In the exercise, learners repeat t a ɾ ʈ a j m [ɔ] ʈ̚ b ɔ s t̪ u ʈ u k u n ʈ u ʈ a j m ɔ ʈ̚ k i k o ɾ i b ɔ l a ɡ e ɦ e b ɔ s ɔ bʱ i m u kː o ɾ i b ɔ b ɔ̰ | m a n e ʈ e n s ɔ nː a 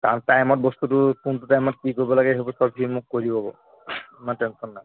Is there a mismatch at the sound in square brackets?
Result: no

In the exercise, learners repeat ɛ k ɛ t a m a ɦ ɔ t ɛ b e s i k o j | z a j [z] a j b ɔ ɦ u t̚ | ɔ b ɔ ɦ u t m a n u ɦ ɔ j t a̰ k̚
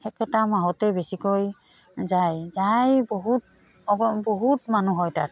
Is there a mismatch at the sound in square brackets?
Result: no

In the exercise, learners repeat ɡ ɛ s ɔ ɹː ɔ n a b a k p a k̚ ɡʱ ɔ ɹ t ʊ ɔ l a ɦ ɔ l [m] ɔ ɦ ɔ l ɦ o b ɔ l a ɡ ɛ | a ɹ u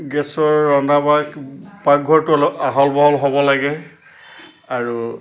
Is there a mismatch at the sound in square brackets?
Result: yes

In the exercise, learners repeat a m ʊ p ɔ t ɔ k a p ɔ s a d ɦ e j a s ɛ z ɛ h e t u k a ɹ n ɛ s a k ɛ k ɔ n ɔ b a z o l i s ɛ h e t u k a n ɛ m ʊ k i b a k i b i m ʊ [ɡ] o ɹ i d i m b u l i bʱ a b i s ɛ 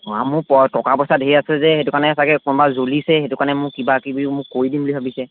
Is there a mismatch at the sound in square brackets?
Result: yes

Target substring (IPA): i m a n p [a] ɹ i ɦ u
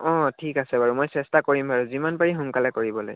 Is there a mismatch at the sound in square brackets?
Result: no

